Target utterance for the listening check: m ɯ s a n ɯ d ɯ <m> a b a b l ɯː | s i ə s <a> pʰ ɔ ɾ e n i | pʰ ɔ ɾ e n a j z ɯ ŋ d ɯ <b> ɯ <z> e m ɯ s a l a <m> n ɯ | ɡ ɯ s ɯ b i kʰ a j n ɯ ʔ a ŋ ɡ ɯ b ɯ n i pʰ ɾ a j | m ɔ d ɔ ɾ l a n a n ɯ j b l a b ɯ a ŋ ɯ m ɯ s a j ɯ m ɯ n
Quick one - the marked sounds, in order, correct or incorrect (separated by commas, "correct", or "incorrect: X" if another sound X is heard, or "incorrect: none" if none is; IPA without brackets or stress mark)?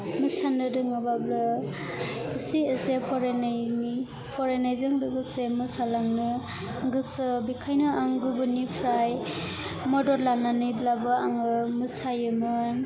incorrect: ŋ, incorrect: e, incorrect: ɡ, incorrect: s, incorrect: ŋ